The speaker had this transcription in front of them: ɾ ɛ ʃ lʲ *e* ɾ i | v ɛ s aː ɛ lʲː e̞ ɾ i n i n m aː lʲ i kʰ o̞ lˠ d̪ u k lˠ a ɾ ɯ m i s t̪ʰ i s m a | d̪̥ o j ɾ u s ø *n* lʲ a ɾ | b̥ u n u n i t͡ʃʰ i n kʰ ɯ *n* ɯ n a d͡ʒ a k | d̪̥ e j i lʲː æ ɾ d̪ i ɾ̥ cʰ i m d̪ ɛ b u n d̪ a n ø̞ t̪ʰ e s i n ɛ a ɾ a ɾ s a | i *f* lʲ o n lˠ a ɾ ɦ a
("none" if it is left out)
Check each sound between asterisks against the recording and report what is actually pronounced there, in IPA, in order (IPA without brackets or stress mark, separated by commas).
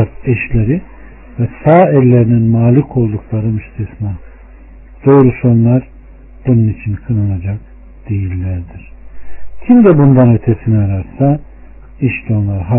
e, n, n, ʃ